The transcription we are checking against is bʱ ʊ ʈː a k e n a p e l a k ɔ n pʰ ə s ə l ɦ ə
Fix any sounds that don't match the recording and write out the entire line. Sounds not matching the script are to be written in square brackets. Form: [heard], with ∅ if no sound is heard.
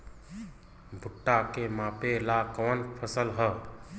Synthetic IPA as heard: bʱ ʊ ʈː a k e [m] a p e l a k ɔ n pʰ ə s ə l ɦ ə